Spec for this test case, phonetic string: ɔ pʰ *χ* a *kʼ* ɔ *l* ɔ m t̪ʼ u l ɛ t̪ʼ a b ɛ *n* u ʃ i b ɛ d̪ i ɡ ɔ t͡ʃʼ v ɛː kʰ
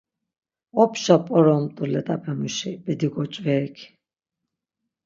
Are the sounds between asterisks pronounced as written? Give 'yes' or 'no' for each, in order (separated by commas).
no, no, no, no